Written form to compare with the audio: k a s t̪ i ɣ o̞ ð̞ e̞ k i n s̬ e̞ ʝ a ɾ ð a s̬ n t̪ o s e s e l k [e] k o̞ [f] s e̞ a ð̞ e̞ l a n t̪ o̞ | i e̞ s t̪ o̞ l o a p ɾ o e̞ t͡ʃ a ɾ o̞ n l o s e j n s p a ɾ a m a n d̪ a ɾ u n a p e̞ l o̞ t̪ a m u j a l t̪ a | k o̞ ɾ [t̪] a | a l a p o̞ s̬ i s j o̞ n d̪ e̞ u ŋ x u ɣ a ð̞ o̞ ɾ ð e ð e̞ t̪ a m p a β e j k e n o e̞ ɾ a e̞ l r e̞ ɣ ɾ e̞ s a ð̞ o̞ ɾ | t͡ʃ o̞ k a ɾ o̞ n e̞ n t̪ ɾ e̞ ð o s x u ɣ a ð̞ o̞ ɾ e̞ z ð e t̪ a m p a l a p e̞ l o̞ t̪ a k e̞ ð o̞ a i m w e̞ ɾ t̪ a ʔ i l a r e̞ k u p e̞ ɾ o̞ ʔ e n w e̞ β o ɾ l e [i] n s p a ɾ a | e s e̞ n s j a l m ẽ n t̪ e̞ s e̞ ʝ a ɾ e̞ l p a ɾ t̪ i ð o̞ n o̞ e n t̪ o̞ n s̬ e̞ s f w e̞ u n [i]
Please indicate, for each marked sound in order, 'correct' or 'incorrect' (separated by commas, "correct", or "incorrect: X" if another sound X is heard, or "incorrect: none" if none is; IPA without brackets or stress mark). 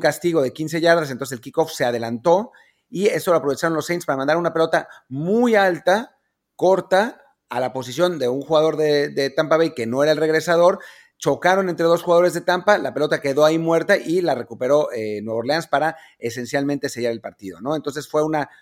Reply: incorrect: i, correct, correct, incorrect: a, incorrect: a